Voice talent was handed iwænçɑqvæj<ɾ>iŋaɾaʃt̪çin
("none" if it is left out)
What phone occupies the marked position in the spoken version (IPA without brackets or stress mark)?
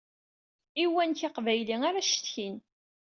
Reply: l